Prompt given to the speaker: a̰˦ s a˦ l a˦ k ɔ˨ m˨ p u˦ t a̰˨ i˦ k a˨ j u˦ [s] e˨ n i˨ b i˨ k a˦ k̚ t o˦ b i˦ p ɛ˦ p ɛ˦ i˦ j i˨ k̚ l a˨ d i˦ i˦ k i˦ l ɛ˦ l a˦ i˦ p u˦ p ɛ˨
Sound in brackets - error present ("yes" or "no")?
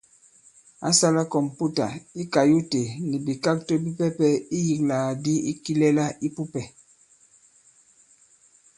yes